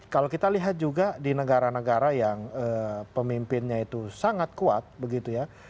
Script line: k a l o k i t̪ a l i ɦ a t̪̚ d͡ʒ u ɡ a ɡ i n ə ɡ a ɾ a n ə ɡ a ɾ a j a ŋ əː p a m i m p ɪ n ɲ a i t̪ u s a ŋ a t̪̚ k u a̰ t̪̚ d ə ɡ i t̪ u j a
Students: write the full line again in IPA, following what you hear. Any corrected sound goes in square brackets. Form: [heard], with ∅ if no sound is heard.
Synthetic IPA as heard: k a l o k i t̪ a l i ɦ a t̪̚ d͡ʒ u ɡ a [d] i n ə ɡ a ɾ a n ə ɡ a ɾ a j a ŋ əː p [ə] m i m p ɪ n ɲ a i t̪ u s a ŋ a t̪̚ k u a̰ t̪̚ [b] ə ɡ i t̪ u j a